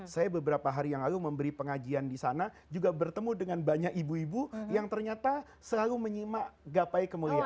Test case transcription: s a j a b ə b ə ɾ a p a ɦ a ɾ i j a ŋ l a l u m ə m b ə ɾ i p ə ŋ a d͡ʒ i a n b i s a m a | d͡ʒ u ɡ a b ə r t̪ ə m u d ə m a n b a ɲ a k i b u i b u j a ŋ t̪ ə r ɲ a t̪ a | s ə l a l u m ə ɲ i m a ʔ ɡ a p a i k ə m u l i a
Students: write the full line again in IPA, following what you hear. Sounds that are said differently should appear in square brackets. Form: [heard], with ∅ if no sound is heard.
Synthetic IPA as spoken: s a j a b ə b ə ɾ a p a ɦ a ɾ i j a ŋ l a l u m ə m b ə ɾ i p ə ŋ a d͡ʒ i a n [d] i s a [n] a | d͡ʒ u ɡ a b ə r t̪ ə m u d ə [ŋ] a n b a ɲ a k i b u i b u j a ŋ t̪ ə r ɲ a t̪ a | s ə l a l u m ə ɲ i m a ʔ ɡ a p a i k ə m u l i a